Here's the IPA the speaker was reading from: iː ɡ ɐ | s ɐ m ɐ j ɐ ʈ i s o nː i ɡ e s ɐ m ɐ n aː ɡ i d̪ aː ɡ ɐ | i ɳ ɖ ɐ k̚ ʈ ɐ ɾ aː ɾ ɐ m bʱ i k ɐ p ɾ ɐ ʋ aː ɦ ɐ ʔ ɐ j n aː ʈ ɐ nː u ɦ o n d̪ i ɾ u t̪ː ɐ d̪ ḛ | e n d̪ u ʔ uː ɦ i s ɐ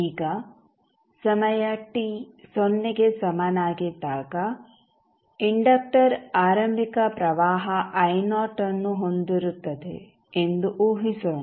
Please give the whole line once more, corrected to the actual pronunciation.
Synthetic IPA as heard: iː ɡ ɐ | s ɐ m ɐ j ɐ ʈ i s o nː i ɡ e s ɐ m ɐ n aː ɡ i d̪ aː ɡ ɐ | i ɳ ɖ ɐ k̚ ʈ ɐ ɾ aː ɾ ɐ m bʱ i k ɐ p ɾ ɐ ʋ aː ɦ ɐ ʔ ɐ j n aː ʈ ɐ nː u ɦ o n d̪ i ɾ u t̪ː ɐ d̪ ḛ | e n d̪ u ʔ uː ɦ i s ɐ